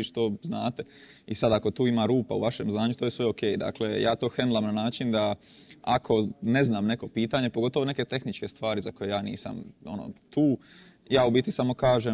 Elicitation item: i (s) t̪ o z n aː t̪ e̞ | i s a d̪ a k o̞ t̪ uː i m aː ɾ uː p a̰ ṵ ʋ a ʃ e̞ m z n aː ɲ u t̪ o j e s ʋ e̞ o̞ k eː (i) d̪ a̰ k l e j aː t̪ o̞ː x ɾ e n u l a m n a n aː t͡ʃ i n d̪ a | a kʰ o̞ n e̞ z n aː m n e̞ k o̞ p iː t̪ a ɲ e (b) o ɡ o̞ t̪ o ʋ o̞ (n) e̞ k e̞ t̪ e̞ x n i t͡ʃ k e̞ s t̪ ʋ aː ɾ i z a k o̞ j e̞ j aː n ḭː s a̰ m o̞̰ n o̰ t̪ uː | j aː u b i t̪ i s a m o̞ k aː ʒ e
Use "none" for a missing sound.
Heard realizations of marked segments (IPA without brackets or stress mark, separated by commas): ʃ, j, p, n